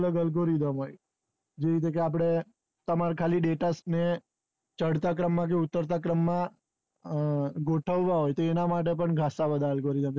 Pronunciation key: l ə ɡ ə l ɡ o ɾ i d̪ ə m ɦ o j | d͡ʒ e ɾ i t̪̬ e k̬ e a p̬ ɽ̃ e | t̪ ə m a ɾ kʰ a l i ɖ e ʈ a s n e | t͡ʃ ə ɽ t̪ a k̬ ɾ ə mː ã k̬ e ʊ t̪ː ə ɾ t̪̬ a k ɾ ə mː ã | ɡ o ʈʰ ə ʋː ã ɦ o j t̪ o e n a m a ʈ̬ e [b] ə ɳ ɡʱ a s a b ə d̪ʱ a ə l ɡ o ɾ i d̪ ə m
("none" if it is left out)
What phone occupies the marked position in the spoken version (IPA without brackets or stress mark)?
p